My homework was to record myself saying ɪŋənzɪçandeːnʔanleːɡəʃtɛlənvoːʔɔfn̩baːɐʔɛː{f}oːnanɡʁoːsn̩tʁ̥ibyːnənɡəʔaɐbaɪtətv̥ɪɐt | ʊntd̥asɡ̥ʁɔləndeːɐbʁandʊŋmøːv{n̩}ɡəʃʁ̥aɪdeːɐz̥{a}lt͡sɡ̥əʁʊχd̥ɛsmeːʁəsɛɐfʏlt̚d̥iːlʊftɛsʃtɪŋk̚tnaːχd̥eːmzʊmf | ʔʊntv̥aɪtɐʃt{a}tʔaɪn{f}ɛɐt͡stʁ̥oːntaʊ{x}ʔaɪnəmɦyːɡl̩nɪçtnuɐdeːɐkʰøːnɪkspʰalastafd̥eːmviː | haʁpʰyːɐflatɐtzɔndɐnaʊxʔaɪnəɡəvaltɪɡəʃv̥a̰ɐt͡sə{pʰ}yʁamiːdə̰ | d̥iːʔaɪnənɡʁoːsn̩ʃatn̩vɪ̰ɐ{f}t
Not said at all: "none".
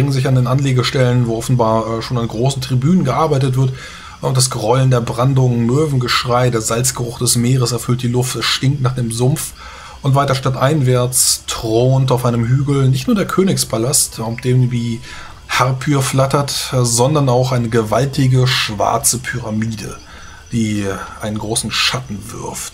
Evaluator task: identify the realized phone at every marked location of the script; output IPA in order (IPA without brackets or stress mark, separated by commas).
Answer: ʃ, n̩, a, a, v, f, pʰ, f